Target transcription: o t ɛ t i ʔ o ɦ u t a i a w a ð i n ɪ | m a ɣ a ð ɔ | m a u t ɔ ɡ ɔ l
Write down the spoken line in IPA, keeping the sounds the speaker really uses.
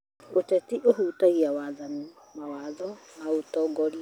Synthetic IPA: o t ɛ t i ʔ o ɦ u t a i a w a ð a n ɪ | m a w a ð ɔ | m a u t ɔ ɡ ɔ l